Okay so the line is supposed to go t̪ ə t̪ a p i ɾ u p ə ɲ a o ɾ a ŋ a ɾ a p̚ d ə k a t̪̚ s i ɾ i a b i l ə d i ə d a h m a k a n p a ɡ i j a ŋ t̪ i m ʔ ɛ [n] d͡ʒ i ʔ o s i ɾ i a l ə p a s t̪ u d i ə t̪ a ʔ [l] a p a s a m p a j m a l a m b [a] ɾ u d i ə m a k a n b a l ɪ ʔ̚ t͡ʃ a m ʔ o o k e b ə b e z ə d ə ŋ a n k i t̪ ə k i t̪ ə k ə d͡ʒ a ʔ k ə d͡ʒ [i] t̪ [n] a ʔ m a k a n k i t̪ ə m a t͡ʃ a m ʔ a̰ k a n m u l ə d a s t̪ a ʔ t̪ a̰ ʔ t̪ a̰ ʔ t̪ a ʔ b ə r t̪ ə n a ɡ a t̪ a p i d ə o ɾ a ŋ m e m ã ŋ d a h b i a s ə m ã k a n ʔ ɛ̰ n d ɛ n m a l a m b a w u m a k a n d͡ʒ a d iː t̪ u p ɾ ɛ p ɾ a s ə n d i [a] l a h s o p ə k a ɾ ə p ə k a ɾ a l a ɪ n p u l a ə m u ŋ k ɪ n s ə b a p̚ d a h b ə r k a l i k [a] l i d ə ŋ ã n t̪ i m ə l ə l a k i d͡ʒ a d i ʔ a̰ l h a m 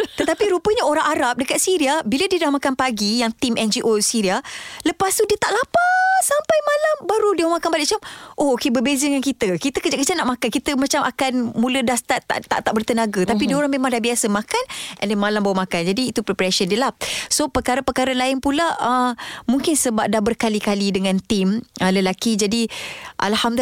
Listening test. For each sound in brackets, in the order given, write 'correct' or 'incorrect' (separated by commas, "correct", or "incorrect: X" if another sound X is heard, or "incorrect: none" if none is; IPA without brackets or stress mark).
correct, correct, correct, incorrect: a, correct, incorrect: ə, correct